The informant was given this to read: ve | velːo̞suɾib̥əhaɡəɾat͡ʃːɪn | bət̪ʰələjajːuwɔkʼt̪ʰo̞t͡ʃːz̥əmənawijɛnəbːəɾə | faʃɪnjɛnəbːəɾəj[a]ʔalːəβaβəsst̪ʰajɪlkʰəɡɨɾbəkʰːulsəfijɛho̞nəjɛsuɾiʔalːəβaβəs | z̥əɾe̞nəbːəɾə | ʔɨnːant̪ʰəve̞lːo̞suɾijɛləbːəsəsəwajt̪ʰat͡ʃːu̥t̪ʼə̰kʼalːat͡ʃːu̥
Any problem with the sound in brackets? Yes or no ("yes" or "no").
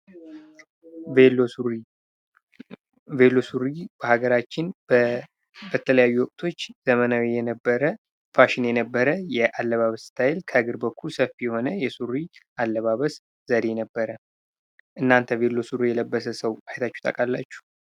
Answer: yes